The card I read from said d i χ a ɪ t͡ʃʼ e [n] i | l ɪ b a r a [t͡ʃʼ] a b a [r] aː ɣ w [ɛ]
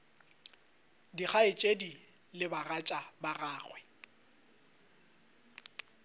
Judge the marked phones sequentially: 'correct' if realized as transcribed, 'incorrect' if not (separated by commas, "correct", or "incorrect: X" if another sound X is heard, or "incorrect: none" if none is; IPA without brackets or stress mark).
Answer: incorrect: d, correct, correct, correct